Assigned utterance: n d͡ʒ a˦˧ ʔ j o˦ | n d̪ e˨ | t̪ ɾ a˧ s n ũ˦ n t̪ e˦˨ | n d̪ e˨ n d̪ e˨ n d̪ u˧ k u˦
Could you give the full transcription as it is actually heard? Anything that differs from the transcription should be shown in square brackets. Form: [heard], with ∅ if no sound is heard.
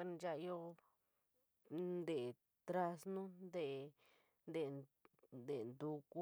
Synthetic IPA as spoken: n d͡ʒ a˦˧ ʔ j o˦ | n d̪ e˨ | t̪ ɾ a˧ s n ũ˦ n [d̪] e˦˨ | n d̪ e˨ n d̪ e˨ n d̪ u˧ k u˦